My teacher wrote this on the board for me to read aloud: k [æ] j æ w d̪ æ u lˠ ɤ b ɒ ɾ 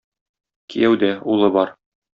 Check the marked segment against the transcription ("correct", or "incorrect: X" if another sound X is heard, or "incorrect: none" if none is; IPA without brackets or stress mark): incorrect: i